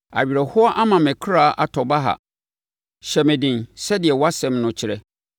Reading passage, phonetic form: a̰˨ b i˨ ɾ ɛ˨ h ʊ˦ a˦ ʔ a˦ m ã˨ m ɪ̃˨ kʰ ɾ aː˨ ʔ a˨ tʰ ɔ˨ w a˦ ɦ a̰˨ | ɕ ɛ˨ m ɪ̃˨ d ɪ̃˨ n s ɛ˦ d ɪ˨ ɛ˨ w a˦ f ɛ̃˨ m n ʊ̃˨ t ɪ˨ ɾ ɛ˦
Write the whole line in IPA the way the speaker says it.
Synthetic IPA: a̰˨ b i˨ ɾ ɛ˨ h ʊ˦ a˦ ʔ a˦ m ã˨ m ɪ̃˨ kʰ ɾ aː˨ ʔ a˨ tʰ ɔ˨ b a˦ ɦ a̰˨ | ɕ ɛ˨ m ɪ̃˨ d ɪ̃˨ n s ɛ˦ d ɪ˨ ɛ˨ w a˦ s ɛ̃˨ m n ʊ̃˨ t͡ɕʰ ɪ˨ ɾ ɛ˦